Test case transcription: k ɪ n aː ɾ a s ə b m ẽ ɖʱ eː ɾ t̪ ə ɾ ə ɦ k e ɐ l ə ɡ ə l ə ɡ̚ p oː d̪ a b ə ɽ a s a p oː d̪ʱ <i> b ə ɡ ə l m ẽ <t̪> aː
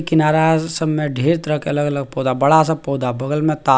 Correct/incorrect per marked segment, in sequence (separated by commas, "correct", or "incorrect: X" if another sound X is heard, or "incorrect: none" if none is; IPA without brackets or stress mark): incorrect: a, correct